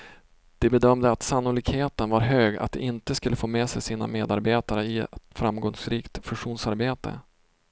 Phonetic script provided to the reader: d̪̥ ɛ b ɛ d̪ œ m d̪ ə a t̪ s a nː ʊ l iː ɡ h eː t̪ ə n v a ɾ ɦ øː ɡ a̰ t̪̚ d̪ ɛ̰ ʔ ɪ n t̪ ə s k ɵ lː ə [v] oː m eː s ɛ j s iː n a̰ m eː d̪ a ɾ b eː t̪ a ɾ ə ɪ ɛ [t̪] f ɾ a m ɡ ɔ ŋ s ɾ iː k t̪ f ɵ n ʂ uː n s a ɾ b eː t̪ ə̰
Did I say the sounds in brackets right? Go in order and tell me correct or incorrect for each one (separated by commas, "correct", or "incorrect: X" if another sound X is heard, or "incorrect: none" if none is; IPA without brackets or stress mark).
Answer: incorrect: f, correct